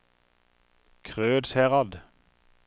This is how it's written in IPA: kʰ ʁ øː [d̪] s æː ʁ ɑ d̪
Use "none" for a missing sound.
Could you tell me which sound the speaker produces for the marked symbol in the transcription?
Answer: d̪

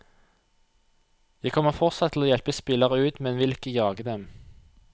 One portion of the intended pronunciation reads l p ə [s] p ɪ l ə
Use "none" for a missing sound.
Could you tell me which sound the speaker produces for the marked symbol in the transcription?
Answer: s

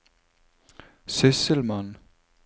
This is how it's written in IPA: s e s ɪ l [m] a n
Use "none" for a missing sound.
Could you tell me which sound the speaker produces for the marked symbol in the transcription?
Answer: m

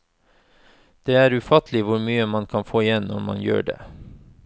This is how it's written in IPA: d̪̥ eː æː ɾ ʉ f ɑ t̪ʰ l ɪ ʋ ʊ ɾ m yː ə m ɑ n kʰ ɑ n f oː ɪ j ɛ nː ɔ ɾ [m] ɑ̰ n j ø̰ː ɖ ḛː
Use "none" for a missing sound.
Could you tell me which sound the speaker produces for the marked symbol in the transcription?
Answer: m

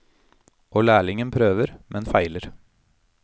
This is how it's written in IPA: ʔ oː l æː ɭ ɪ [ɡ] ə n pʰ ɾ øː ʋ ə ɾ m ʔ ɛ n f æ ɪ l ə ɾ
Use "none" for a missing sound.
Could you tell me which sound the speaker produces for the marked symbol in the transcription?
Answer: ŋ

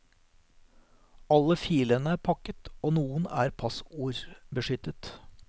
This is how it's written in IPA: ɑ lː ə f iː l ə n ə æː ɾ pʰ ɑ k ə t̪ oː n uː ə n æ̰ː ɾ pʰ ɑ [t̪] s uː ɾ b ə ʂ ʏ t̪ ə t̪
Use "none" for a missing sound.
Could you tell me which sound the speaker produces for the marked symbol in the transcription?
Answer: none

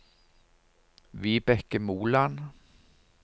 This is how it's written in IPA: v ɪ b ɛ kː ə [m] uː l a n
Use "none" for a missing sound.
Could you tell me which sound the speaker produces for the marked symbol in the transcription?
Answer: m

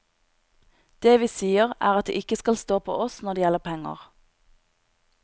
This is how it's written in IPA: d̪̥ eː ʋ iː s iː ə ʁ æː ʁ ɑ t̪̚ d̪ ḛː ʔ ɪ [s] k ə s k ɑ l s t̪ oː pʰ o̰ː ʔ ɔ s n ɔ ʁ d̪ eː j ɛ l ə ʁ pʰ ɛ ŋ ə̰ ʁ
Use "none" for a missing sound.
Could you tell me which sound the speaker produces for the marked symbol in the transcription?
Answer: none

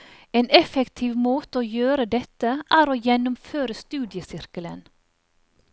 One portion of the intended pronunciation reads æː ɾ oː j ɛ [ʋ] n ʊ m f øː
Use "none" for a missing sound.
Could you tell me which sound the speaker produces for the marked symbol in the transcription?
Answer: none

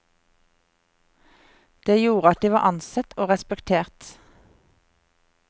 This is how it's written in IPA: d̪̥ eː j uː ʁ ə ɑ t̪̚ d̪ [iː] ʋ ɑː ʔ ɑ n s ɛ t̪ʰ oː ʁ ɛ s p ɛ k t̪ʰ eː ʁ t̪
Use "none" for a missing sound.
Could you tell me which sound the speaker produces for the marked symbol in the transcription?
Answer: iː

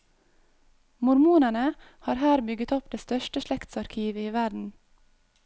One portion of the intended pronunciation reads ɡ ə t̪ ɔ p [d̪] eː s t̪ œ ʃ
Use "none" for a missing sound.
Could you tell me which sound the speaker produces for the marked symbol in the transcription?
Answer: d̪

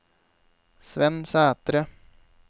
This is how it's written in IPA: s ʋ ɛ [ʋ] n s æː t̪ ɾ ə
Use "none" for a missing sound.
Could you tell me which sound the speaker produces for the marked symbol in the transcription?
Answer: none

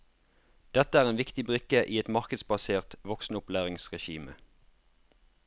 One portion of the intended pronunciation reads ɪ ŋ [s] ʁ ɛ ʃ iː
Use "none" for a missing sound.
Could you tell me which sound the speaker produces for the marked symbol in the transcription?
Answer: s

